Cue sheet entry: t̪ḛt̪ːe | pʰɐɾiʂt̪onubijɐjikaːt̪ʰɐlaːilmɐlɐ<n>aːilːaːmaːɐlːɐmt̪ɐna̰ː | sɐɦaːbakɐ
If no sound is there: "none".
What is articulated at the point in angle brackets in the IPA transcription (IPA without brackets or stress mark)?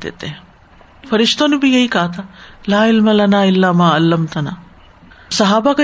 n